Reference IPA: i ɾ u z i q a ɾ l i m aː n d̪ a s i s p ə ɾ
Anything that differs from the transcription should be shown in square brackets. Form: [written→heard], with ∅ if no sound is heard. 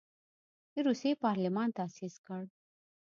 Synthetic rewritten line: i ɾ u [z→s] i [q→p] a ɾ l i m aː n [d̪→t̪] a s i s [p→k] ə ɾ